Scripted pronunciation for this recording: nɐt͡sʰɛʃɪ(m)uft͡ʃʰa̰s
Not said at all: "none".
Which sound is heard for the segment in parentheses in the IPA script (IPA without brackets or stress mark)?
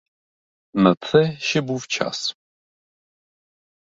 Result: b